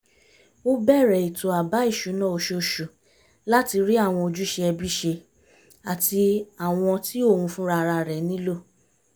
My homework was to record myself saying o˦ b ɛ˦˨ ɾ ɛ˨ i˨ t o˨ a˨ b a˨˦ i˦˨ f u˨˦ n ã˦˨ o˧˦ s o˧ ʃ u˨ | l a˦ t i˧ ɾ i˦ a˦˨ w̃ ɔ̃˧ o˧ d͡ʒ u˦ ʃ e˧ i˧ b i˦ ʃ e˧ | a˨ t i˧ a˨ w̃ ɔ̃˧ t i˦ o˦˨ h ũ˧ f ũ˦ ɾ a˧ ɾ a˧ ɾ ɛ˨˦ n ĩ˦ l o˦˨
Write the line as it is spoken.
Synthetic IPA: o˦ b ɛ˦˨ ɾ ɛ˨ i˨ t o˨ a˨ b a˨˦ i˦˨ ʃ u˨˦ n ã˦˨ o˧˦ ʃ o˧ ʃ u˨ | l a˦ t i˧ ɾ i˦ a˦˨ w̃ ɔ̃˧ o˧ d͡ʒ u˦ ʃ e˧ ɛ˧ b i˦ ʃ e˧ | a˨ t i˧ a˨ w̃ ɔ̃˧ t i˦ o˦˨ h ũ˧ f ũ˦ ɾ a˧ ɾ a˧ ɾ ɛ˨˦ n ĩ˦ l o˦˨